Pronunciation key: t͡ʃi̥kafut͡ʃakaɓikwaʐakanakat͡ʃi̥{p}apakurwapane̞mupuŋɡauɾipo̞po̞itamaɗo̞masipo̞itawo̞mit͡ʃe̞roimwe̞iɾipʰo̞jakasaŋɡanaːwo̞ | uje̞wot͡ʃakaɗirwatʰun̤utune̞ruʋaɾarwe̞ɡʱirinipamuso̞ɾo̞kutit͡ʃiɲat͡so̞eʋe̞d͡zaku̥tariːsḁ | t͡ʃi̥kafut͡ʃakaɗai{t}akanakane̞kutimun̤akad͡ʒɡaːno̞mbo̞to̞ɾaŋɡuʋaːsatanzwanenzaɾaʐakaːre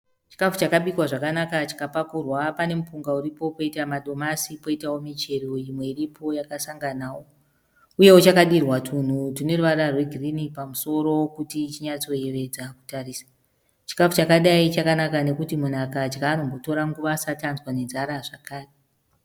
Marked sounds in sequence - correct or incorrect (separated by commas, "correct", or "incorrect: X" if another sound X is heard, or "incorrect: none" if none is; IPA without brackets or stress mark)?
incorrect: k, incorrect: t͡ʃ